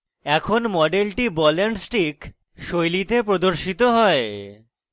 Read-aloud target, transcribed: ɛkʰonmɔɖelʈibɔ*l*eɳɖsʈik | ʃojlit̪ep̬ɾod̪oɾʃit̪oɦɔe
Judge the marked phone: correct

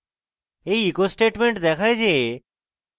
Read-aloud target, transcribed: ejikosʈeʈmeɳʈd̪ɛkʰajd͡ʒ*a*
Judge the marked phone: incorrect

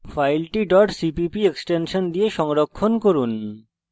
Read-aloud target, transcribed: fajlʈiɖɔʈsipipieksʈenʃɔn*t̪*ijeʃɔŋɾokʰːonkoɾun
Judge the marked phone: incorrect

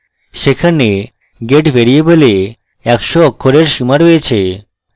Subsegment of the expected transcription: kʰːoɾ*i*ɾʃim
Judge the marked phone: incorrect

